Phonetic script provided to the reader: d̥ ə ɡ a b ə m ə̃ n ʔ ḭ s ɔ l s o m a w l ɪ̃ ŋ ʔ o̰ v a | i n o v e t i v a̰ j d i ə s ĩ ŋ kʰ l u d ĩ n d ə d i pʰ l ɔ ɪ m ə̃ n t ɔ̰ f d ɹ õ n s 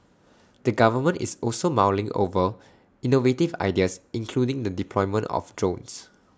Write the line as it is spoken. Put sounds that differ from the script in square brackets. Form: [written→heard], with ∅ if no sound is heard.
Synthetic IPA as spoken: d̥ ə ɡ a [b→v] ə m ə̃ n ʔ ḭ s ɔ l s o m a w l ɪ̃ ŋ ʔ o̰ v [a→ə] | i n o v e t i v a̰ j d i ə s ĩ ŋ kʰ l u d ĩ [n→ŋ] d ə d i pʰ l ɔ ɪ m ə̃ n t ɔ̰ f d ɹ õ n s

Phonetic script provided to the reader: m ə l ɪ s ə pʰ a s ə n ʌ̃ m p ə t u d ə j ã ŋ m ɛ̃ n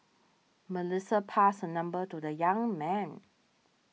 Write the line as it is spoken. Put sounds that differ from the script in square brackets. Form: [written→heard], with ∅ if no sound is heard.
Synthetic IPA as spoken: m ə l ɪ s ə pʰ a s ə n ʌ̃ m [p→b] ə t u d ə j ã ŋ m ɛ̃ n

